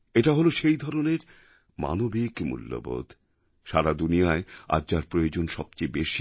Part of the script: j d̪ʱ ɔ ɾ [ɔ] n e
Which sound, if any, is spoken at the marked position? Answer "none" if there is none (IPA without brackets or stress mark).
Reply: o